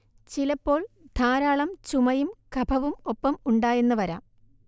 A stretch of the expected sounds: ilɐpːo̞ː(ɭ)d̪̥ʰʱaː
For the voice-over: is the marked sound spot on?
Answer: yes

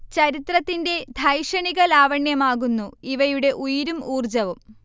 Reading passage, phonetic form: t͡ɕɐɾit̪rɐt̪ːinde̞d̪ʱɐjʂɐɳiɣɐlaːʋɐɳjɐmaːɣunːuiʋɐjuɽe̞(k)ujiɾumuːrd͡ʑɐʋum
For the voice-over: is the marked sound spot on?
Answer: no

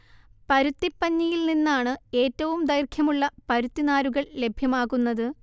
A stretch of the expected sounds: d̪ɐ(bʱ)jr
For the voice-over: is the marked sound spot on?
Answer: no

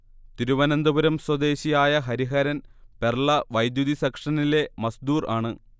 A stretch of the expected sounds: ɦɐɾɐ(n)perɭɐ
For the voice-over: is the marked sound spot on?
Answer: yes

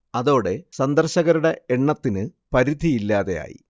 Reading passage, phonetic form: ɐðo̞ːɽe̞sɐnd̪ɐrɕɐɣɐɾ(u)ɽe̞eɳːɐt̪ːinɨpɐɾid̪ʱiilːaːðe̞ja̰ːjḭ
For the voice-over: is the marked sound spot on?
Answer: yes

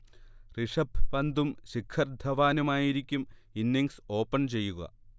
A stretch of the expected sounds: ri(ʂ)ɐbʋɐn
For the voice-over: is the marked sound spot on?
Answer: yes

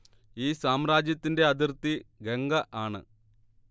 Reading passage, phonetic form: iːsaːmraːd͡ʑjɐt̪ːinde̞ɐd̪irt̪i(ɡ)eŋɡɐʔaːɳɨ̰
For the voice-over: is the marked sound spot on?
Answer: yes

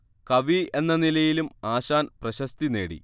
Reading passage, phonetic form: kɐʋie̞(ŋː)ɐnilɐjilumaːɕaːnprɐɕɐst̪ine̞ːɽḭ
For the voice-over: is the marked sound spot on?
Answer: no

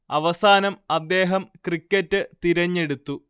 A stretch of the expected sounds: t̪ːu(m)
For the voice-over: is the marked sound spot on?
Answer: no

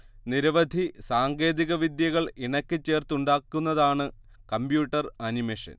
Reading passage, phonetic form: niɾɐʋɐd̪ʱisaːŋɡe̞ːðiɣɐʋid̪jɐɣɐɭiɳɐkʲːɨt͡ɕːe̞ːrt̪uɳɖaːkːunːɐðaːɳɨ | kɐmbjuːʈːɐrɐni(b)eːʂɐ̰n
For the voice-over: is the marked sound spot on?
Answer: no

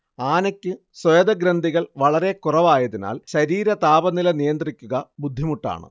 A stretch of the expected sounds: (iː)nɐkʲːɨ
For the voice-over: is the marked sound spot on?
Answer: no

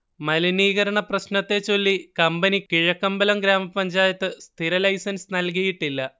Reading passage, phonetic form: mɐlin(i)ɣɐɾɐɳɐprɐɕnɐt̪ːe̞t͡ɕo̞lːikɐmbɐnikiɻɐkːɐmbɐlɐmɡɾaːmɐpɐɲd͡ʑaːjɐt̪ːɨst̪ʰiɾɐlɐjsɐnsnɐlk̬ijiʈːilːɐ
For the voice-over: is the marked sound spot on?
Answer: no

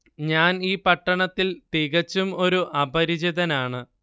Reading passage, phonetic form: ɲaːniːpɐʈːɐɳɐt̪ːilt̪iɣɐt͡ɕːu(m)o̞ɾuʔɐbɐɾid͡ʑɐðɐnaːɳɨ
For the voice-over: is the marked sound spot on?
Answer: yes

